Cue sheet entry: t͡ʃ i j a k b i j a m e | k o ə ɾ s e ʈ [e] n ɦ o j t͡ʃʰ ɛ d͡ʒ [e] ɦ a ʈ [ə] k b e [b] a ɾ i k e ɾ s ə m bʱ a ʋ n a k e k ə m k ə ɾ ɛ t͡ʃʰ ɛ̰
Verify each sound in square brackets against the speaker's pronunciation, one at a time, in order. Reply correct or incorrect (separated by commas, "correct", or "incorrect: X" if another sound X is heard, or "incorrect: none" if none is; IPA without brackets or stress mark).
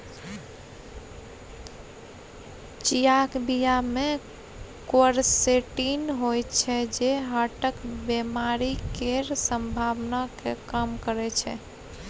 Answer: incorrect: i, correct, correct, incorrect: m